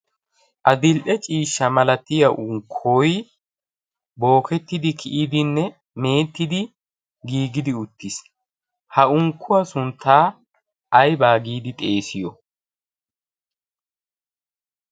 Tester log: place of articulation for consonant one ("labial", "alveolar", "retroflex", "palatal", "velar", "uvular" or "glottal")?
glottal